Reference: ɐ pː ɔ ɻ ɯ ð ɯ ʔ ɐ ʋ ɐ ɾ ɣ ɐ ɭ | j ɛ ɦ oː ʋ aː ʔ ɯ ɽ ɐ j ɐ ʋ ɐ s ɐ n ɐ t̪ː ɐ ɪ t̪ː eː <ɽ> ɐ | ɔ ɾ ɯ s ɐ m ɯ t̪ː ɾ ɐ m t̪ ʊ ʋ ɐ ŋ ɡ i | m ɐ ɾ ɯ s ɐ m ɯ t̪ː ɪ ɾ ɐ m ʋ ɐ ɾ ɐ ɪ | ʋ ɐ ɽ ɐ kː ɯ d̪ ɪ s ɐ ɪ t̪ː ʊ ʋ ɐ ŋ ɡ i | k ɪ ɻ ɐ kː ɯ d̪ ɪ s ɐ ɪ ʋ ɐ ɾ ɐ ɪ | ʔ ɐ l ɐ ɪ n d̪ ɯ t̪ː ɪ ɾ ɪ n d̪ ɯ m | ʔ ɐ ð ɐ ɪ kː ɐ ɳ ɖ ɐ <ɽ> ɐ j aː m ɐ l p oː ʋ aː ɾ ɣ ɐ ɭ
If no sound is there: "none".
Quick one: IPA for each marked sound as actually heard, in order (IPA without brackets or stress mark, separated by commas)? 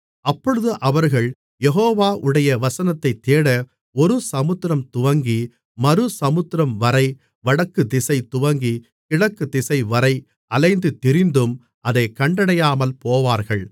ɽ, ɽ